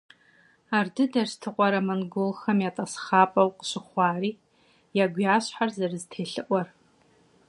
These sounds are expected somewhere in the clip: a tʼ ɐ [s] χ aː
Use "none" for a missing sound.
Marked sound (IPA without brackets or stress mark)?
s